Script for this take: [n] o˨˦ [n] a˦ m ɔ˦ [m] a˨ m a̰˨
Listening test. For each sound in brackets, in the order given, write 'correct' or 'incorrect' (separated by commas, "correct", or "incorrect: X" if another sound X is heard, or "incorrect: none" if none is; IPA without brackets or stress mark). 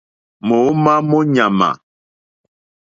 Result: incorrect: m, incorrect: m, incorrect: ɲ